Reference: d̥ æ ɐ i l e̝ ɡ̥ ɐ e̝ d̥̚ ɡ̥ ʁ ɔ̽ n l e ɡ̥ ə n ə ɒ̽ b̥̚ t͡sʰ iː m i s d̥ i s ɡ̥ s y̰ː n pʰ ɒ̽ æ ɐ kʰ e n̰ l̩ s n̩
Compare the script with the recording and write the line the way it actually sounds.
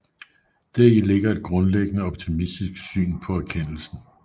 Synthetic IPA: d̥ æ ɐ i l e̝ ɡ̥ ɐ e̝ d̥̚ ɡ̥ ʁ ɔ̽ n l e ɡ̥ ə n ə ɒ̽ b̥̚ t͡sʰ i m i s d̥ i s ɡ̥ s y̰ː n pʰ ɒ̽ æ ɐ kʰ e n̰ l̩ s n̩